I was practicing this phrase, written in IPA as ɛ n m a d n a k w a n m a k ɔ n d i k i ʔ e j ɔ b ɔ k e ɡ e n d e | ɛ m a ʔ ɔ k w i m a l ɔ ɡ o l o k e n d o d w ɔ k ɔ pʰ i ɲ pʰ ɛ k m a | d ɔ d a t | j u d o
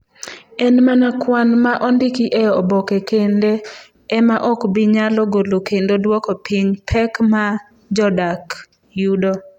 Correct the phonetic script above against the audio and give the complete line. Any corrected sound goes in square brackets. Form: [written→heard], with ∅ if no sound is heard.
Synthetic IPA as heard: ɛ n m a [d→∅] n a k w a n m a [k→ʔ] ɔ n d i k i ʔ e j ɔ b ɔ k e [ɡ→k] e n d e | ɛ m a ʔ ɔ k [w→b] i [m→ɲ] a l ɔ ɡ o l o k e n d o d w ɔ k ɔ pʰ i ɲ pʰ ɛ k m a | [d→d͡ʒ] ɔ d a [t→k] | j u d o